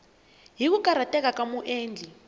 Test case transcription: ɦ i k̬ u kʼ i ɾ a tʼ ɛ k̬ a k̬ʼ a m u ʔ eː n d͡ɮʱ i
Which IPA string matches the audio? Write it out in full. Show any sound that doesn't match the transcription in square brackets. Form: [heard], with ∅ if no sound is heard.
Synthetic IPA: ɦ i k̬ u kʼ [a] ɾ a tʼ ɛ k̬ a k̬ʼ a m u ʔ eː n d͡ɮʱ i